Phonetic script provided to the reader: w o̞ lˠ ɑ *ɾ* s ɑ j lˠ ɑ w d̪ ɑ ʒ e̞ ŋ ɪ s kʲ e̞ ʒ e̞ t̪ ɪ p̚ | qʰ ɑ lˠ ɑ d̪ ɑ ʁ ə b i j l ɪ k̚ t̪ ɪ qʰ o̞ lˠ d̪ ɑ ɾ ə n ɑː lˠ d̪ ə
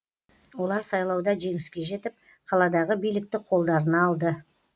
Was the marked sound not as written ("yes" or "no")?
no